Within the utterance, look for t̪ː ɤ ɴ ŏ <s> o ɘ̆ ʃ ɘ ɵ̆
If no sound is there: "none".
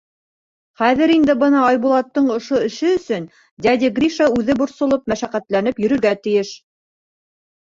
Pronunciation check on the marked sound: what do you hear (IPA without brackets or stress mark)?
ʃ